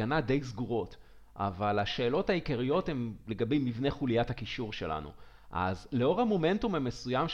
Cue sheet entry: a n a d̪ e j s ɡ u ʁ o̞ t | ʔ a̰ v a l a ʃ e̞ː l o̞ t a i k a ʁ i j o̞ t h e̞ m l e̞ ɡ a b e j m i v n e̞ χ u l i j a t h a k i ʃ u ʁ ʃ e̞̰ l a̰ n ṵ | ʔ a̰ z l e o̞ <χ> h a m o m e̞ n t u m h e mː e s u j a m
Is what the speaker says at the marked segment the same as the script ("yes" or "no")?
no